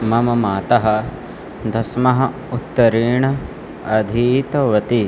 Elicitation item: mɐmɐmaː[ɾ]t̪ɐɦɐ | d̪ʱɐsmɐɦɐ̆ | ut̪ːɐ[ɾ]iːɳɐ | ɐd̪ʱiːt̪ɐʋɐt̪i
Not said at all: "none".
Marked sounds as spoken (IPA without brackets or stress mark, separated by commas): none, ɾ